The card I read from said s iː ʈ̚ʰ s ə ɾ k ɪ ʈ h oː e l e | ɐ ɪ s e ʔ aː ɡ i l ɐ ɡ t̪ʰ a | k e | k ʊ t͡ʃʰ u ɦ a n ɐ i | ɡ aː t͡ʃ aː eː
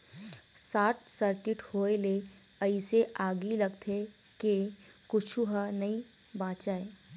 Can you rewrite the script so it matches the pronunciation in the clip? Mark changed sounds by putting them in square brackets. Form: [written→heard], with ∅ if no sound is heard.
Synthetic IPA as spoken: s [iː→aː] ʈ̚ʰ s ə ɾ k ɪ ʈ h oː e l e | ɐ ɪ s e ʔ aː ɡ i l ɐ ɡ t̪ʰ [a→e] | k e | k ʊ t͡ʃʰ u ɦ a n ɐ i | [ɡ→b] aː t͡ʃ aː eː